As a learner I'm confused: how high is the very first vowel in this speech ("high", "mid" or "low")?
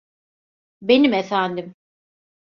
mid